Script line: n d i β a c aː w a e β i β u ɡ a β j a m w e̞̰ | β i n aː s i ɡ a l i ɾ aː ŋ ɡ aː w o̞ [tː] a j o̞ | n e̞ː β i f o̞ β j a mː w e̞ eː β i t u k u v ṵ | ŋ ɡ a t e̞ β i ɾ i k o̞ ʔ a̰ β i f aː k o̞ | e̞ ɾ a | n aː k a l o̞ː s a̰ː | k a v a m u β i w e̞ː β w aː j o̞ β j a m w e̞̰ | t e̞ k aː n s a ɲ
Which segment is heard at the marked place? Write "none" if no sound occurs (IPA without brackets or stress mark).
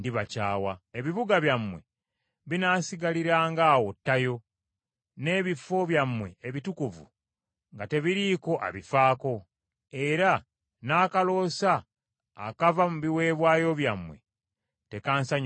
tː